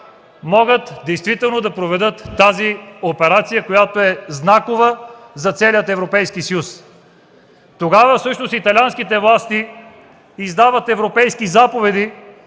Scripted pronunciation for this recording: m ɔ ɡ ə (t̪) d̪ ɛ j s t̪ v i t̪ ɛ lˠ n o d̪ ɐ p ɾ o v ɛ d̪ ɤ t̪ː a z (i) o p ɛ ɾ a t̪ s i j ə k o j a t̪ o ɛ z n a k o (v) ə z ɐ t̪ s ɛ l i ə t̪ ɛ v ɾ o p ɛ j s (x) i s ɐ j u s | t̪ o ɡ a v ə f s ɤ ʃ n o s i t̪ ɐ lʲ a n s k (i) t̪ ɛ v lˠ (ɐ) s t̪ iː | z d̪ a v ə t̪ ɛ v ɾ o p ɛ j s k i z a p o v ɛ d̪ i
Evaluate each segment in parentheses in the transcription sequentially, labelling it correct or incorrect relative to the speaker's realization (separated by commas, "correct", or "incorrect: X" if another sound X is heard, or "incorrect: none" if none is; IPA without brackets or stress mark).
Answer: correct, correct, correct, incorrect: k, correct, incorrect: a